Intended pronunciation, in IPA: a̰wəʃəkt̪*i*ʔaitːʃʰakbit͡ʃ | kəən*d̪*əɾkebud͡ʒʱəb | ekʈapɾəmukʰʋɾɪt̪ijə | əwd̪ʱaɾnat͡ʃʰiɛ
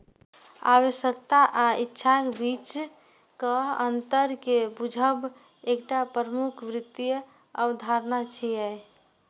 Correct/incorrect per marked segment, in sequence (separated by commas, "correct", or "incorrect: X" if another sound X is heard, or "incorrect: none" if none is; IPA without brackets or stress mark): incorrect: a, incorrect: t̪